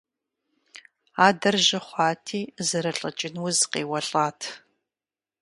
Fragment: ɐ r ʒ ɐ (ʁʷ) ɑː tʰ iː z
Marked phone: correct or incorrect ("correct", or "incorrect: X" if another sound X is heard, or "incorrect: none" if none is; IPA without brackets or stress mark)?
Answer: incorrect: χʷ